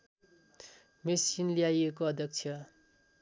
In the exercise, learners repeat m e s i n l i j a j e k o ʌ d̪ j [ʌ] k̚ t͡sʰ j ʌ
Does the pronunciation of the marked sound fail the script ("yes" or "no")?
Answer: no